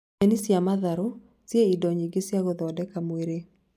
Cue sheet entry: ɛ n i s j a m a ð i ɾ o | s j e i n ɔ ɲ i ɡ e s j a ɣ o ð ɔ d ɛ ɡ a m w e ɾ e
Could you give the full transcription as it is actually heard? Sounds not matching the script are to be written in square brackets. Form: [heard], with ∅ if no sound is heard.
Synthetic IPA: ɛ n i s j a m a ð [a] ɾ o | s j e i [d] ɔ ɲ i ɡ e s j a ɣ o ð ɔ d ɛ [k] a m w e ɾ e